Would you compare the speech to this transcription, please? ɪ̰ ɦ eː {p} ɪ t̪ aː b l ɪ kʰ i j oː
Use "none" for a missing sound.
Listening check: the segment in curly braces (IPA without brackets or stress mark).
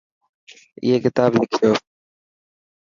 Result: k